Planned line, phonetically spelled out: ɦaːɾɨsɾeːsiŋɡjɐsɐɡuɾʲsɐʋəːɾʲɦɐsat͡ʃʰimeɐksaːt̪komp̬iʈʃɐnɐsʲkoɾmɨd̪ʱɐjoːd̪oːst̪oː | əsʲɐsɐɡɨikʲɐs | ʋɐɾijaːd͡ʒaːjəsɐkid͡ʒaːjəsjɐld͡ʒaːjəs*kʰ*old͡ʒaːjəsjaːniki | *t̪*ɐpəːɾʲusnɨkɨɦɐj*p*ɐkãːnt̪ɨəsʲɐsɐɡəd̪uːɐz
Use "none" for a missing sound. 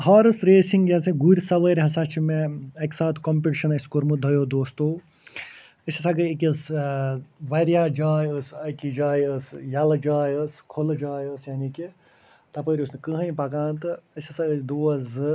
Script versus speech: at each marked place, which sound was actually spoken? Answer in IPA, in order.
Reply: kʰ, t̪, p

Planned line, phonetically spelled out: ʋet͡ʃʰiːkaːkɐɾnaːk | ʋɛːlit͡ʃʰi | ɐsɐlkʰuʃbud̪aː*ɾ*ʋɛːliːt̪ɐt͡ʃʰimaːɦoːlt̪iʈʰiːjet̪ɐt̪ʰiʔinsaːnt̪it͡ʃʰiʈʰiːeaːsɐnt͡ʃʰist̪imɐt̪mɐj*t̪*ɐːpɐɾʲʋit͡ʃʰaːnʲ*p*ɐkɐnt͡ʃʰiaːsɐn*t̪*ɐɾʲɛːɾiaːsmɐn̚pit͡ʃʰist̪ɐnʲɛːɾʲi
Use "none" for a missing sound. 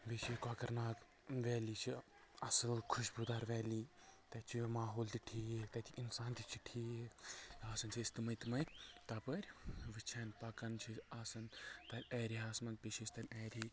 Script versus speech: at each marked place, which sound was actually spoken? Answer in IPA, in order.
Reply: ɾ, t̪, p, t̪

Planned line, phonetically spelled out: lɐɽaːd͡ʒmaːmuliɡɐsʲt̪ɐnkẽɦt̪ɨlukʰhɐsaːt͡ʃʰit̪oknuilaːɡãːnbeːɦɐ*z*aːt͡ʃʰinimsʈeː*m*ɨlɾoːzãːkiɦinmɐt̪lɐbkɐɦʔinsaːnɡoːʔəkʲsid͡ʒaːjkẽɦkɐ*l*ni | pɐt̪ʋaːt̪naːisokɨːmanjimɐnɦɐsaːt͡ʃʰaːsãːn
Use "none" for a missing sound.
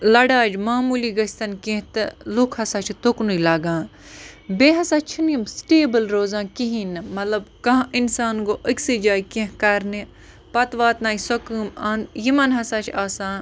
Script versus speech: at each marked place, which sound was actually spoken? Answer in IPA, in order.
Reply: s, b, ɾ

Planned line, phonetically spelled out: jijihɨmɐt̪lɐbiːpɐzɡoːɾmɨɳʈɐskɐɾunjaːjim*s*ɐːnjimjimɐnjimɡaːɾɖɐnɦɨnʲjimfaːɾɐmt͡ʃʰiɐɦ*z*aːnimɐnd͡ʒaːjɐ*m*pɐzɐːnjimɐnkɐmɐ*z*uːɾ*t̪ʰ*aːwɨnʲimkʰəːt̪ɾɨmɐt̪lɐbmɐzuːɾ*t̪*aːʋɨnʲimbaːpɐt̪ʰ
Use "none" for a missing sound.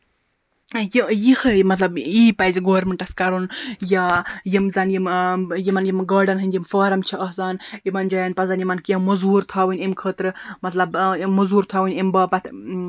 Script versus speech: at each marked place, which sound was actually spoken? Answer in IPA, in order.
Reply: z, z, n, z, t̪ʰ, t̪ʰ

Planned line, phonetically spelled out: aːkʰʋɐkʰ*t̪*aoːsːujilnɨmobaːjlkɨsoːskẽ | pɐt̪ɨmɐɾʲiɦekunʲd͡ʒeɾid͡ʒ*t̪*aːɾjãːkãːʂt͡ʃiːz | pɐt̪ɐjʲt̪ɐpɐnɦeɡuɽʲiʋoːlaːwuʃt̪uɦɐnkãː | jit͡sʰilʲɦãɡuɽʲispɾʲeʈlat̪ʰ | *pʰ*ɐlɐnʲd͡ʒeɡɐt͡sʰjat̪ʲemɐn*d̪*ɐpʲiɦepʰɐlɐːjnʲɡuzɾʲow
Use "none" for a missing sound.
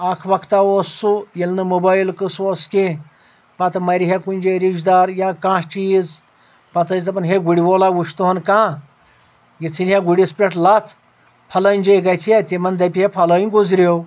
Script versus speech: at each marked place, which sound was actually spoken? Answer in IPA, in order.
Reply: t̪, d̪, pʰ, d̪

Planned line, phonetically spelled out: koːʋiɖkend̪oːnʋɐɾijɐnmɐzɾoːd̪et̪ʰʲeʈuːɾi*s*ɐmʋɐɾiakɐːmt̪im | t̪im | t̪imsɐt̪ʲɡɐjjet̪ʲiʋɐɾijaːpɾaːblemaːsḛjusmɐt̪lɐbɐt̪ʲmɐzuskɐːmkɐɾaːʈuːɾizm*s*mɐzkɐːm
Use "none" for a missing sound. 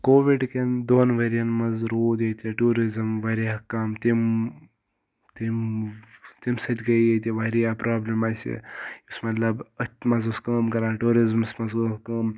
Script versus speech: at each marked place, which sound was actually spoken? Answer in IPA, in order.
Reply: z, s

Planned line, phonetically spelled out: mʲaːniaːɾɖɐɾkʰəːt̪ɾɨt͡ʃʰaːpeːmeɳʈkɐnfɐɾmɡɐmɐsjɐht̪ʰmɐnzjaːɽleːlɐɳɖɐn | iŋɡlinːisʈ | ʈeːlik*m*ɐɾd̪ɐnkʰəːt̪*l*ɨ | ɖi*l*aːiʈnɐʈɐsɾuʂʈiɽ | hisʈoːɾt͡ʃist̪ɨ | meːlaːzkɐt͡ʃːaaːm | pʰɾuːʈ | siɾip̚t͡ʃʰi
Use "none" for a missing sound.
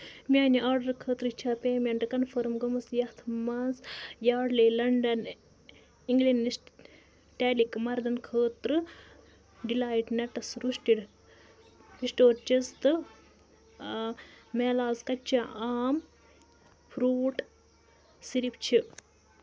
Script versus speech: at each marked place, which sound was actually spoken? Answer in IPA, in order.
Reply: m, ɾ, l

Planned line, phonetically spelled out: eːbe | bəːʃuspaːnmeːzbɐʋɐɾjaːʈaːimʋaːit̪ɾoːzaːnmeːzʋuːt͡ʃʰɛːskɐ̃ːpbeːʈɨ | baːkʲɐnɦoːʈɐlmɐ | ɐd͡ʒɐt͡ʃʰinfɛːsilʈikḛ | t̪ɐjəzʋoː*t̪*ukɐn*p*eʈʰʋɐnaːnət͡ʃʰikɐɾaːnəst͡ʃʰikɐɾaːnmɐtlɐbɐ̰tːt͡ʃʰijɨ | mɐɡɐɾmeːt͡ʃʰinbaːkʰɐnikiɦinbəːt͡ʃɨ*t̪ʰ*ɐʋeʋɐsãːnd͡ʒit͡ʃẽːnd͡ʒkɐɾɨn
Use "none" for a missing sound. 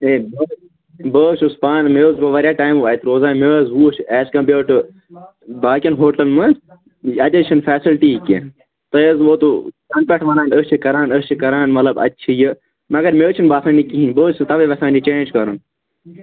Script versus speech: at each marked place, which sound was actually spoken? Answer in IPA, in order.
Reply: t̪, p, t̪

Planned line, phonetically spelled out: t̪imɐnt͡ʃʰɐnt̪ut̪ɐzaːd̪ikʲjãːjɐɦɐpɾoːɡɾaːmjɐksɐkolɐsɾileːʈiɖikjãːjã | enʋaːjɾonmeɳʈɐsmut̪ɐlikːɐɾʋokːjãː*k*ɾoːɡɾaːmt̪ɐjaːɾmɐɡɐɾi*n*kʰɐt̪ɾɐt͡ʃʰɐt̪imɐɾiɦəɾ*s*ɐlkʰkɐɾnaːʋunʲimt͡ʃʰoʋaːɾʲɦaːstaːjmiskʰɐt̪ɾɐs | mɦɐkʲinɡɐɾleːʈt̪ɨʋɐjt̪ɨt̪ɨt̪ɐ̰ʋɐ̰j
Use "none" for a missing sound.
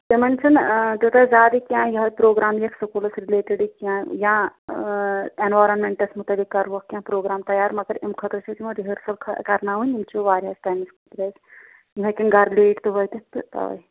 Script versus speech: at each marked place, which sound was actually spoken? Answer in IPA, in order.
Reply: p, m, s

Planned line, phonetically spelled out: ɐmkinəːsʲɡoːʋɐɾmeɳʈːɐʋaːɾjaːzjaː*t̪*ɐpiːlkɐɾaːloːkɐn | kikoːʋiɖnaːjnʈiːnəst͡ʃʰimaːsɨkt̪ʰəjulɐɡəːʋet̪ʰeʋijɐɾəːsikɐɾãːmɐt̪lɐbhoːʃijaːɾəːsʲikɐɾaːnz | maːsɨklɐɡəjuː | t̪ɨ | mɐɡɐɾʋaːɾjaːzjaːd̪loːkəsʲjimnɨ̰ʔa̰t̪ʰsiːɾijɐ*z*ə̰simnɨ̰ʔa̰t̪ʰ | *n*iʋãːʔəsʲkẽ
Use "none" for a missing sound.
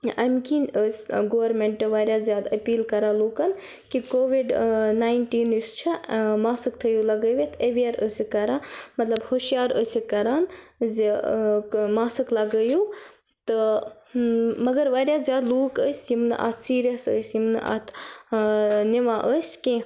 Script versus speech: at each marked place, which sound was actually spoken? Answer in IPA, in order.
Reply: d̪, s, n

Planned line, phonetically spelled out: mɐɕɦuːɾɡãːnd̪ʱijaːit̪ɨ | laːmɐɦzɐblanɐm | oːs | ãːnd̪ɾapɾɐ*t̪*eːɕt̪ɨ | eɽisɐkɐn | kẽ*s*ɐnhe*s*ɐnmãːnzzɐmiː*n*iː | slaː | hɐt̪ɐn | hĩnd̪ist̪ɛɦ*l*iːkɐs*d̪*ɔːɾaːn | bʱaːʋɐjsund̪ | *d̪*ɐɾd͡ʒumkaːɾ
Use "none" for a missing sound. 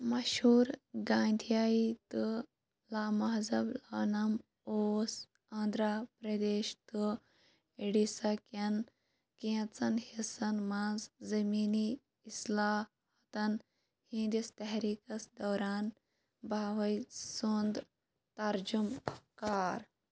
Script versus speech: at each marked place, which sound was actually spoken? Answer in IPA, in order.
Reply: d̪, t͡s, s, n, ɾ, d̪, t̪

